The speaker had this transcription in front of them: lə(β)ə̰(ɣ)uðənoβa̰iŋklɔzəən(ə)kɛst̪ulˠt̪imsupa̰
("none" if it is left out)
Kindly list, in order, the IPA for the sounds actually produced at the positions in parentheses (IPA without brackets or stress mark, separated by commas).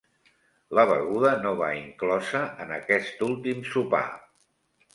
β, ɣ, ə